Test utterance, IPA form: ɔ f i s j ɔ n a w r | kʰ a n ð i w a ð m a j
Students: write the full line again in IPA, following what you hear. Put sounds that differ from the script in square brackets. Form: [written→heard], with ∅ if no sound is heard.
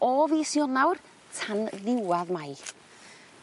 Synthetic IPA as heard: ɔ [f→v] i s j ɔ n a w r | [kʰ→tʰ] a n ð [i→ɪ] w a ð m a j